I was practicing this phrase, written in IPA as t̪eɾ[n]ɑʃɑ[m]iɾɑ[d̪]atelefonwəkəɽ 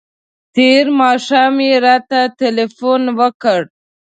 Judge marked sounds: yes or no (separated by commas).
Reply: no, yes, no